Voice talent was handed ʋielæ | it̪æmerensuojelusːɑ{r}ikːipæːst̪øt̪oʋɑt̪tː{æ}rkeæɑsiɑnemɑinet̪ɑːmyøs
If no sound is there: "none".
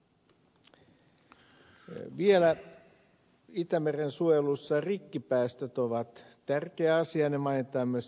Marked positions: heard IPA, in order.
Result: r, æ

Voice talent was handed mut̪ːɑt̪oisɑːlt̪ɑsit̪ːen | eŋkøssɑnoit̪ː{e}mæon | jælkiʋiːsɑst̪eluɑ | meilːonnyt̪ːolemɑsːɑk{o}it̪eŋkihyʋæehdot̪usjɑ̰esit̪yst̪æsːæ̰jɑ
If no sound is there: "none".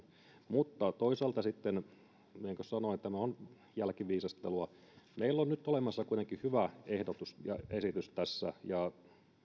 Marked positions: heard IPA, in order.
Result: æ, u

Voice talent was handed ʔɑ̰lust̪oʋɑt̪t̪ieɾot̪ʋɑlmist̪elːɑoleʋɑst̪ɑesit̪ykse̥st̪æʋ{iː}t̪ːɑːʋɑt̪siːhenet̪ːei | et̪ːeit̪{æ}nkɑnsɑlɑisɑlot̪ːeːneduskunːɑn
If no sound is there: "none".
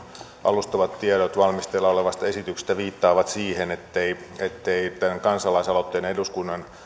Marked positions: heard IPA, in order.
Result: iː, æ

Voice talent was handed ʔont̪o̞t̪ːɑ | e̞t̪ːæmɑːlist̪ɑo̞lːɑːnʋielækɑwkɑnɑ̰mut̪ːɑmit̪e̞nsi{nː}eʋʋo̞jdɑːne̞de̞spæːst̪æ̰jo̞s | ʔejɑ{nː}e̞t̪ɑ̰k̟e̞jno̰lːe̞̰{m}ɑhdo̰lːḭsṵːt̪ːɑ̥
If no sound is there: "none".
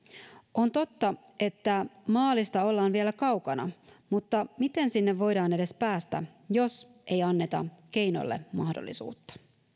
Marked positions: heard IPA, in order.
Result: nː, nː, m

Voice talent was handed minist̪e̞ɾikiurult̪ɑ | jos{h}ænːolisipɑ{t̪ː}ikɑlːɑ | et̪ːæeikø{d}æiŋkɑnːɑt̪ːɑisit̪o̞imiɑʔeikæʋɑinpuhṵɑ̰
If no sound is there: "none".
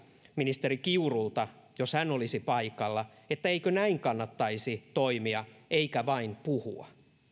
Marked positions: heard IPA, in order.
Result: h, none, n

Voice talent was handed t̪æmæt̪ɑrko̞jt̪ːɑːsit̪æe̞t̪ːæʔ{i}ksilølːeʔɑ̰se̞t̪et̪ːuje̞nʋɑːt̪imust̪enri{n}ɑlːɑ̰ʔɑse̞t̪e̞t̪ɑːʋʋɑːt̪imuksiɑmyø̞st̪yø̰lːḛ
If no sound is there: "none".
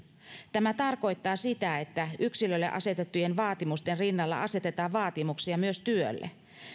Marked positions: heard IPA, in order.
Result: y, nː

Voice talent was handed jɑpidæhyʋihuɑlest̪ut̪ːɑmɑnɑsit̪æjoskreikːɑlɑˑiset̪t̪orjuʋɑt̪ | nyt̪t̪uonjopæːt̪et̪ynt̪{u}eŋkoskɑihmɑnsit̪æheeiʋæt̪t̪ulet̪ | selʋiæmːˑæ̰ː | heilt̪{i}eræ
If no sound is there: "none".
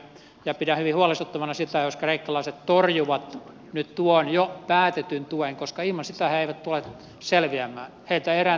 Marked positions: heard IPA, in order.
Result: u, æ

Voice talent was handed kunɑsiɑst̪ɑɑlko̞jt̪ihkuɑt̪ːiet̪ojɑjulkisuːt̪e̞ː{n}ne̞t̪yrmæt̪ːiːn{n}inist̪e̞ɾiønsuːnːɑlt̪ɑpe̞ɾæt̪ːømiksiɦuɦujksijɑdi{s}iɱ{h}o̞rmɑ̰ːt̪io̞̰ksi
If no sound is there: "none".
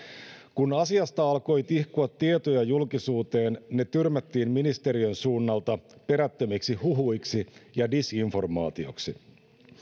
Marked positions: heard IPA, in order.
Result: n, m, s, f

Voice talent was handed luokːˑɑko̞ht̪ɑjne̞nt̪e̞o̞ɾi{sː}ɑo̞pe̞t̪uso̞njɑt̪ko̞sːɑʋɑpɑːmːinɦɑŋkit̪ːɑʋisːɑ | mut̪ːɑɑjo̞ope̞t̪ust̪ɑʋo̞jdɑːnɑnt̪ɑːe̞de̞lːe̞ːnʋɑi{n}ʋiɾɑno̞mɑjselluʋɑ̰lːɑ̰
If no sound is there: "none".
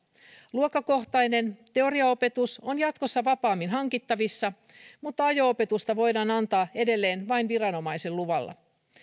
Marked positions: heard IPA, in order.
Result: none, n

